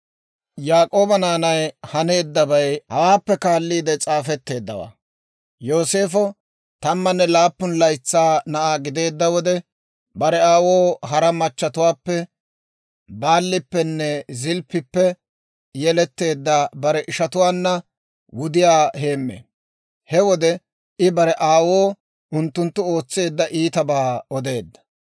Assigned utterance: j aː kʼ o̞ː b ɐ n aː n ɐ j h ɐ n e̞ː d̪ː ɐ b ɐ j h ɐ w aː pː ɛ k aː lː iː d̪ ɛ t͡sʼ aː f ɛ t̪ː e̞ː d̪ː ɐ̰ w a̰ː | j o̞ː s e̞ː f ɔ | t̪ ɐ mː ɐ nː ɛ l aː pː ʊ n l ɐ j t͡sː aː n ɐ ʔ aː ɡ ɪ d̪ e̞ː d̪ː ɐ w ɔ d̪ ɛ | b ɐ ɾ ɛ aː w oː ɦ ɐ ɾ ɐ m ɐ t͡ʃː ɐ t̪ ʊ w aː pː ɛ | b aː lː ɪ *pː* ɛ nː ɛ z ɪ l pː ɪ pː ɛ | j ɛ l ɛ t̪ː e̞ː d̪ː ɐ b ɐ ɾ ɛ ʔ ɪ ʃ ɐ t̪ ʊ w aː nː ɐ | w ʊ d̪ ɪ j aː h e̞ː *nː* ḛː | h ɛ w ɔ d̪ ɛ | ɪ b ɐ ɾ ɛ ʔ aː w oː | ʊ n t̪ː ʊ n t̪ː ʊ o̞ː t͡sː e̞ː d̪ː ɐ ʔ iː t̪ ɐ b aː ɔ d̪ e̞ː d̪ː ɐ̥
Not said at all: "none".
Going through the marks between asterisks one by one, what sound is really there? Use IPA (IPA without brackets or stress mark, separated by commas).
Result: pː, mː